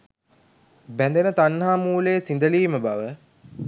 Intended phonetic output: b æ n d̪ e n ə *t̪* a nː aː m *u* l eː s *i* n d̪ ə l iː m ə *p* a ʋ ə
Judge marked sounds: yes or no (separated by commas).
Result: yes, no, yes, no